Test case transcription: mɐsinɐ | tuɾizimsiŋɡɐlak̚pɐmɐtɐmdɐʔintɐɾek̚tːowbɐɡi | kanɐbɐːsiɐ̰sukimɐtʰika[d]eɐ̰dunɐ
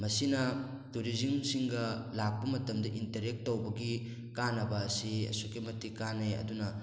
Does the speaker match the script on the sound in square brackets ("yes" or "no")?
no